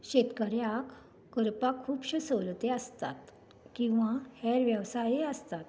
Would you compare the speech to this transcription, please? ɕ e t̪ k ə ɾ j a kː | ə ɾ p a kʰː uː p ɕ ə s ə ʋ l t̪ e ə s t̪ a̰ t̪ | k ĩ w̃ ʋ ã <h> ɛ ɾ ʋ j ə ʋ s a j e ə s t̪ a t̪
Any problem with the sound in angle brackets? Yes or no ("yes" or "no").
no